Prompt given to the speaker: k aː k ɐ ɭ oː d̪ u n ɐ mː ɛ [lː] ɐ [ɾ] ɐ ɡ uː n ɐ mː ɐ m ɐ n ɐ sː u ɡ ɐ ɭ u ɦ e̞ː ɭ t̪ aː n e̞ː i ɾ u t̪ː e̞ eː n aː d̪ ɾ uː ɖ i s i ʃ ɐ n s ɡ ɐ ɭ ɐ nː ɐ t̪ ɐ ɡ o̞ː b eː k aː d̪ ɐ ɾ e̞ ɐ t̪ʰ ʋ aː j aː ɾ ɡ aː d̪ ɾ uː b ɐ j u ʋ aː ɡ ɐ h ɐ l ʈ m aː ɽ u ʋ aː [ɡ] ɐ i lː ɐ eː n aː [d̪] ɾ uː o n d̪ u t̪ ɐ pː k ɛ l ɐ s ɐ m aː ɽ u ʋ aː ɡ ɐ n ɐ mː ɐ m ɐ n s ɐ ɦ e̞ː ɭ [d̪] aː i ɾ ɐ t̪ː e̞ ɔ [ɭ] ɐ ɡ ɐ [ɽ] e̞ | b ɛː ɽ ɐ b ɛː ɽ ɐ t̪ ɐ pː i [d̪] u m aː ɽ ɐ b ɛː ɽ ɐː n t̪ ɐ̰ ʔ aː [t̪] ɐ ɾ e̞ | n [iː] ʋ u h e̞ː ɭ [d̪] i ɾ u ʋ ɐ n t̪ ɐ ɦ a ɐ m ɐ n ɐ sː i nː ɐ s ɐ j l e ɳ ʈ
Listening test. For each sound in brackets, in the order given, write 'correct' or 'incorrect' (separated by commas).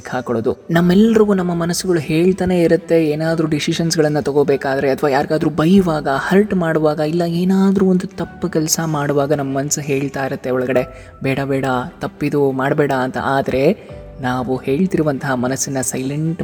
correct, correct, correct, correct, incorrect, correct, correct, correct, incorrect, incorrect, incorrect